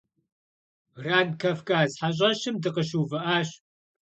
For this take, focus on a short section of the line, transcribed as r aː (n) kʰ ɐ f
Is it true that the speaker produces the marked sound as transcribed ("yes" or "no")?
yes